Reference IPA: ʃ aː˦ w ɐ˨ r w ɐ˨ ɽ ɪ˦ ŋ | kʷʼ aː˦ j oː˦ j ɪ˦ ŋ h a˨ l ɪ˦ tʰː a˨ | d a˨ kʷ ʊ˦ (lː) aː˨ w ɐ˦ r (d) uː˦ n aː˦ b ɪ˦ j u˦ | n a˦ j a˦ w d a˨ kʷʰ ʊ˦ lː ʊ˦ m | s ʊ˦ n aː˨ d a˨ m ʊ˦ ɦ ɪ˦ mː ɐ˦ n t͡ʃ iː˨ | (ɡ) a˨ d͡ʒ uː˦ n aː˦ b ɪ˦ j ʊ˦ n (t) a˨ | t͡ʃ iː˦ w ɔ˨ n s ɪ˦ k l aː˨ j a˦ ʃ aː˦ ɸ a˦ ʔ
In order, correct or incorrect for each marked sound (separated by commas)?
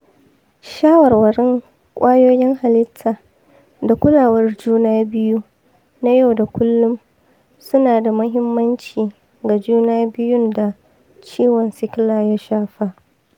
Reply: incorrect, incorrect, correct, incorrect